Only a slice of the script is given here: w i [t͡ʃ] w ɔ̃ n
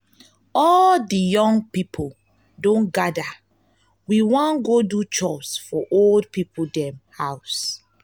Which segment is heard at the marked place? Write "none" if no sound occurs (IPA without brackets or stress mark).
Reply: none